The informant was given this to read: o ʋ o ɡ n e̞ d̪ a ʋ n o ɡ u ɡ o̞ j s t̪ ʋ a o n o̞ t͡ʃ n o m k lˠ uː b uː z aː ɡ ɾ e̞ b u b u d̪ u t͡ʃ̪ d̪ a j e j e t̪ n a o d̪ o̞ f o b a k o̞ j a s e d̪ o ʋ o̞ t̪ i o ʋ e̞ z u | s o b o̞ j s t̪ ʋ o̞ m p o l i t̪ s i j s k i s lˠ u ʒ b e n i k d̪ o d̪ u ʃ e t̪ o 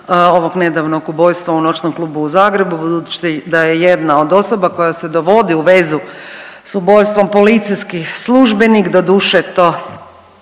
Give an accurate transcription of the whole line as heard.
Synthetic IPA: o ʋ o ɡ n e̞ d̪ a ʋ n o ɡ u b o̞ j s t̪ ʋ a u n o̞ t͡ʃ n o m k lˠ uː b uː z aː ɡ ɾ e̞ b u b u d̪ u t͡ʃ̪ d̪ a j e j e d̪ n a o d̪ o̞ s o b a k o̞ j a s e d̪ o ʋ o̞ d̪ i u ʋ e̞ z u | s u b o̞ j s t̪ ʋ o̞ m p o l i t̪ s i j s k i s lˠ u ʒ b e n i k d̪ o d̪ u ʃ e t̪ o